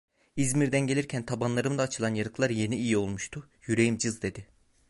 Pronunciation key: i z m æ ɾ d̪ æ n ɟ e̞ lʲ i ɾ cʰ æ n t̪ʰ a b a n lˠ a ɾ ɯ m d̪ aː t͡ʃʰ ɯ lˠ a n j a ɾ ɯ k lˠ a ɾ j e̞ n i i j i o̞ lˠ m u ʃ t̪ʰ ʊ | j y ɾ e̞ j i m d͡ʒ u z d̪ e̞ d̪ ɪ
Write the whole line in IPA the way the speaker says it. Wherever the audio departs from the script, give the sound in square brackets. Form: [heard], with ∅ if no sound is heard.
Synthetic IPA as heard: i z m [i] ɾ d̪ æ n ɟ e̞ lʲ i ɾ cʰ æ n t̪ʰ a b a n lˠ a ɾ ɯ m d̪ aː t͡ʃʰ ɯ lˠ a n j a ɾ ɯ k lˠ a ɾ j e̞ n i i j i o̞ lˠ m u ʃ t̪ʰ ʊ | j y ɾ e̞ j i m d͡ʒ [ɯ] z d̪ e̞ d̪ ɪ